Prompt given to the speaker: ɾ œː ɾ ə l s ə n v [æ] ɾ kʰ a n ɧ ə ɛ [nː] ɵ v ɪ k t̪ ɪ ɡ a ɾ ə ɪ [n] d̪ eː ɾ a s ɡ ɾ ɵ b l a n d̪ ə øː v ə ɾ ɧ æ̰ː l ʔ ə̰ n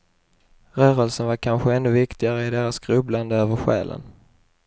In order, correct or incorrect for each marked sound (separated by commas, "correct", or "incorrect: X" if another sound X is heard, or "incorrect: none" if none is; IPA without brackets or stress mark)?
incorrect: a, correct, incorrect: none